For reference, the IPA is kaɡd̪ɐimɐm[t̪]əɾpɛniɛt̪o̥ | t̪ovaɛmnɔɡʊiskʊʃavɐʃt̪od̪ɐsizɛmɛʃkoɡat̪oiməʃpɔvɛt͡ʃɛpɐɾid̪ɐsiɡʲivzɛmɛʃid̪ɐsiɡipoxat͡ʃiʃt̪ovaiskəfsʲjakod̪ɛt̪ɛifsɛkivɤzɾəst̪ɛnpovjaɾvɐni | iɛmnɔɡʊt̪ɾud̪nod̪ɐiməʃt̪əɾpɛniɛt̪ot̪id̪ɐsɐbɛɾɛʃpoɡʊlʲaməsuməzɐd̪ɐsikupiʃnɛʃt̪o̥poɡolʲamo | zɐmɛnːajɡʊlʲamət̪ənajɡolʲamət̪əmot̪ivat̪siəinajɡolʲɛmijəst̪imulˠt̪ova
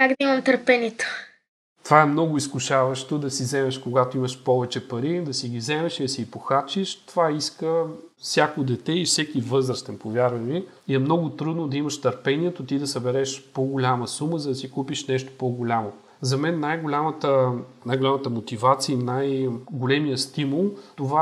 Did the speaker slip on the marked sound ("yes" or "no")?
no